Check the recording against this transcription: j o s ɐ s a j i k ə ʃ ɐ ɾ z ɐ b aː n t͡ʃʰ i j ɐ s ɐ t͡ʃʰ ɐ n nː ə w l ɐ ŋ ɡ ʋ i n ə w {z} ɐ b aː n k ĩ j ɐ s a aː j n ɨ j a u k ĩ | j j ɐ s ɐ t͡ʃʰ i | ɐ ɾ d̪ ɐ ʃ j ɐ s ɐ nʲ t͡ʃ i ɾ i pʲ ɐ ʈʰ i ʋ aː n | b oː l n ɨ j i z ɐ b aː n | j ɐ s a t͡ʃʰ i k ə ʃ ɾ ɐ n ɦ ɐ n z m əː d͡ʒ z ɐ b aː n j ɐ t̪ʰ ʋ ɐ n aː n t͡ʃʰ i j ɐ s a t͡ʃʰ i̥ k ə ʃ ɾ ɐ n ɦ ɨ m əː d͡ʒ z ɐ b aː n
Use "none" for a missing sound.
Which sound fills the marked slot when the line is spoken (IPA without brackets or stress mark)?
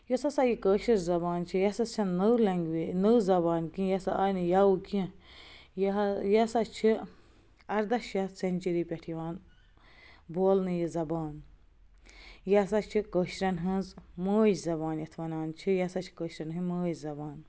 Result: z